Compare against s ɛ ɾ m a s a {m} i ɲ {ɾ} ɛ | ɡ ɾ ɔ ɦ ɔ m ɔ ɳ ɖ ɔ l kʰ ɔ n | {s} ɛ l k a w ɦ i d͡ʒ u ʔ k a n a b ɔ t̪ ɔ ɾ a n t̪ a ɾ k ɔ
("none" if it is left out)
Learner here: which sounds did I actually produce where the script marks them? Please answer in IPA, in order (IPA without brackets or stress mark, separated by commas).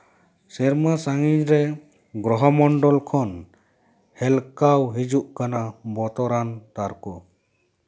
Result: ŋ, ɾ, h